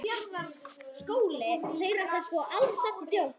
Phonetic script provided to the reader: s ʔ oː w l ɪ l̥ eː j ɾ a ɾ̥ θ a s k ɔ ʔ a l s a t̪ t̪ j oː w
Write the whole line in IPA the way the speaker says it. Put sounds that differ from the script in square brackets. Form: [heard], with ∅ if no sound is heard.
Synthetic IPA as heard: s [k] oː w l ɪ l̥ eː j ɾ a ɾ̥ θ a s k ɔ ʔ a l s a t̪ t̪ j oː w